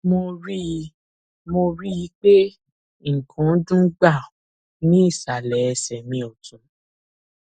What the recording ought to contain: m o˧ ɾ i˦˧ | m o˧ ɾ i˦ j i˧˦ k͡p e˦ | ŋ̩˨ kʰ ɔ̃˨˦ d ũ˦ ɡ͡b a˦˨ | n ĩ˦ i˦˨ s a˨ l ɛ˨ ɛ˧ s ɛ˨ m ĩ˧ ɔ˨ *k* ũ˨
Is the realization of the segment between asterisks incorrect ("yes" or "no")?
yes